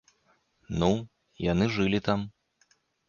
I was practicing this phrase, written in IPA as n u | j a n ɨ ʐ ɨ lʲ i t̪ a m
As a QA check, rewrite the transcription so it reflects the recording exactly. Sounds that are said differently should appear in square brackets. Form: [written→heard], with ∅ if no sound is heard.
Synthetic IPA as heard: n u | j a n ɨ ʐ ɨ lʲ i t̪ a m